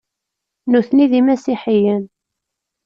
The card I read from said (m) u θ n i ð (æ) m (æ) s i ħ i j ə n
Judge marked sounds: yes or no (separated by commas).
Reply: no, no, yes